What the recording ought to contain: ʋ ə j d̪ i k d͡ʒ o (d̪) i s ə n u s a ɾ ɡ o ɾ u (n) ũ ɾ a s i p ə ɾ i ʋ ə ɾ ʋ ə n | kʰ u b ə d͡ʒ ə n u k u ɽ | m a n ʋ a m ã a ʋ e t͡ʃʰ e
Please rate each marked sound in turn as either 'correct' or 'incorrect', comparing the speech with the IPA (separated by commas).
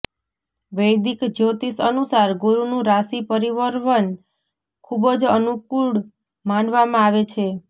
incorrect, correct